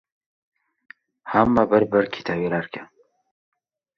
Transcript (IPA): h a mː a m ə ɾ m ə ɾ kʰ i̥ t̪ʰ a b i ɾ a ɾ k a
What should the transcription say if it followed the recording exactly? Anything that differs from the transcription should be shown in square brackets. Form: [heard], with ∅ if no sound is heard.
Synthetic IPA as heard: h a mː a [b] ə ɾ [b] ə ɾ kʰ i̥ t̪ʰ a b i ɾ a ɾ k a